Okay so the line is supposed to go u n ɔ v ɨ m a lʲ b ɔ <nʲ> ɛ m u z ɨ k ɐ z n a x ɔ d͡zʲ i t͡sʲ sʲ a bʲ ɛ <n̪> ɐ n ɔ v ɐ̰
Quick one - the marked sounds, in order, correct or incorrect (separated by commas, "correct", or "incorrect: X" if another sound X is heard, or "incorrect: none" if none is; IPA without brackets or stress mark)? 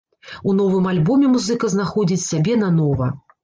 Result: incorrect: mʲ, correct